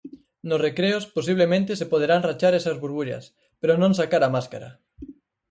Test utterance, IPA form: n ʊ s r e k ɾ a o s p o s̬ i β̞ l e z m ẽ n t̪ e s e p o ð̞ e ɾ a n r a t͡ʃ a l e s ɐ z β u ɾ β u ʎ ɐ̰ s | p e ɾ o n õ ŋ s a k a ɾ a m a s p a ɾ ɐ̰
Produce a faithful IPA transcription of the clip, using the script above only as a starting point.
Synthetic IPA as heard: n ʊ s r e k ɾ e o s p o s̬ i β̞ l e m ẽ n t̪ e s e p o ð̞ e ɾ a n r a t͡ʃ a ɾ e s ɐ z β u ɾ β u ʎ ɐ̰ s | p e ɾ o n õ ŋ s a k a ɾ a m a s k a ɾ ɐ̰